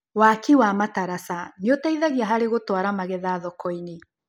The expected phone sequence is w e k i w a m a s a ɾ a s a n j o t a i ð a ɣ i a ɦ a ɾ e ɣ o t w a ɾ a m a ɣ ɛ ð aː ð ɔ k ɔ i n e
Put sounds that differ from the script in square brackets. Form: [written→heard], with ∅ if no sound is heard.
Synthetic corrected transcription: w [e→a] k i w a m a [s→t] a ɾ a s a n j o t a i ð a ɣ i a ɦ a ɾ e ɣ o t w a ɾ a m a ɣ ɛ ð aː ð ɔ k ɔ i n e